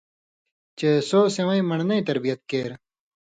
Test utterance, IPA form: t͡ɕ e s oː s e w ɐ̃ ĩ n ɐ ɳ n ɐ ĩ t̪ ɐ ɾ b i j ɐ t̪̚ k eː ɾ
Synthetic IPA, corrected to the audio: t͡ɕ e s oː s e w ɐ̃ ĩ m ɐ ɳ n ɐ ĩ t̪ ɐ ɾ b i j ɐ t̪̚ k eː ɾ